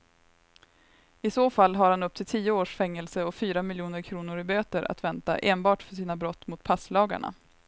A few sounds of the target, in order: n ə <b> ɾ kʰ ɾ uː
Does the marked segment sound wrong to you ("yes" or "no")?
yes